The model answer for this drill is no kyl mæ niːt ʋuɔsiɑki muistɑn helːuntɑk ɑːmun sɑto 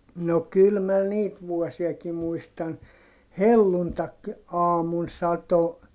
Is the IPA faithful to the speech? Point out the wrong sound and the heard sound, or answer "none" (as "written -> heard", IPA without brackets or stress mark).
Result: none